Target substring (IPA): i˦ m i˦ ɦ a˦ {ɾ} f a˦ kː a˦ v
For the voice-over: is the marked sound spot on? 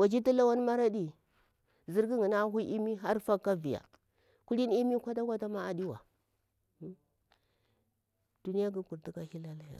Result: yes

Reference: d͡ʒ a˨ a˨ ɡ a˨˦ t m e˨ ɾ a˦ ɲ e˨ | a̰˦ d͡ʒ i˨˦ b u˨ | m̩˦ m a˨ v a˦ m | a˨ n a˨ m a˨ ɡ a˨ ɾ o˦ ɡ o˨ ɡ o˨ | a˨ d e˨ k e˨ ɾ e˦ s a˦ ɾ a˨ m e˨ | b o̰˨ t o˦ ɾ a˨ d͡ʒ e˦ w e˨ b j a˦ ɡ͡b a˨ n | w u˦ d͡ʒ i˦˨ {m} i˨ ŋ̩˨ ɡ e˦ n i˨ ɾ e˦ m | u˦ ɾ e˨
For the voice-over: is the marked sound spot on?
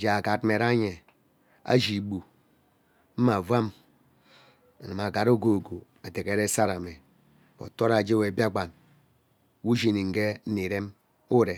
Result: no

